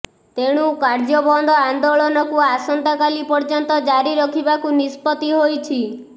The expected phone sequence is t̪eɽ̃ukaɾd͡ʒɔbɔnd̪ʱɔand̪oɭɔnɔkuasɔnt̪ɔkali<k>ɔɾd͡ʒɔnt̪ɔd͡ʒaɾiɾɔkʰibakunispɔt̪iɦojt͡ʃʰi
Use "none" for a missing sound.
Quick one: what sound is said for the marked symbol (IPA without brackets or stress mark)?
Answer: p